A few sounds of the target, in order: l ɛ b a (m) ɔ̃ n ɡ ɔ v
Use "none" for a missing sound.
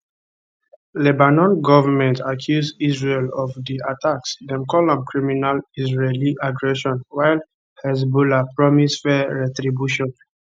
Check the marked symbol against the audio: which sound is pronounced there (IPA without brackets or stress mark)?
n